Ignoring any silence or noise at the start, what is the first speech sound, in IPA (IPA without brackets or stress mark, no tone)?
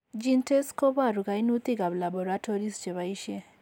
d͡ʒ